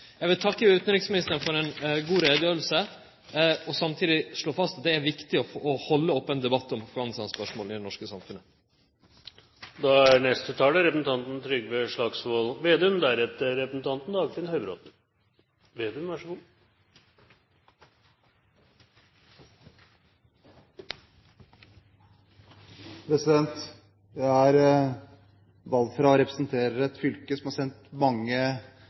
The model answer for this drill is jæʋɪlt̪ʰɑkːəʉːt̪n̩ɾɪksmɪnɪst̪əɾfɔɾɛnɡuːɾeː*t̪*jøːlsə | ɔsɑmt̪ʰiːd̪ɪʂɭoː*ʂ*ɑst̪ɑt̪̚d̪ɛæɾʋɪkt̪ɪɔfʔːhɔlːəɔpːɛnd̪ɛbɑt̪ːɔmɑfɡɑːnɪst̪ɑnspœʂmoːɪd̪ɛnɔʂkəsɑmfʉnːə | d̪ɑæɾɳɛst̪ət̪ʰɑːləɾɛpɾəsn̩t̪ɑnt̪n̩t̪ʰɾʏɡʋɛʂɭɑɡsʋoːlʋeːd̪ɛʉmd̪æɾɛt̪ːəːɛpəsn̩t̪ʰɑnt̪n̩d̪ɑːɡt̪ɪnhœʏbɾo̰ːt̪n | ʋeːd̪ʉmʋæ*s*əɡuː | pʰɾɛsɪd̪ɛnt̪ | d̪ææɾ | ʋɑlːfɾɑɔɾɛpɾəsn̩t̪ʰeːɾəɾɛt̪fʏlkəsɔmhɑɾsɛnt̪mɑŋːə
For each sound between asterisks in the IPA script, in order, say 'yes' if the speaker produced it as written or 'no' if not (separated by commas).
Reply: no, no, no